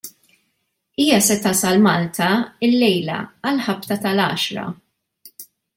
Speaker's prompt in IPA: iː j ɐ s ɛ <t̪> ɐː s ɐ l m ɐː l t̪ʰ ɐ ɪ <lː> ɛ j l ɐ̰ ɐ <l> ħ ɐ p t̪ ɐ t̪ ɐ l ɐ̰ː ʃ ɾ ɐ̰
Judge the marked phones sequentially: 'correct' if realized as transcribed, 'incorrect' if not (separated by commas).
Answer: correct, correct, correct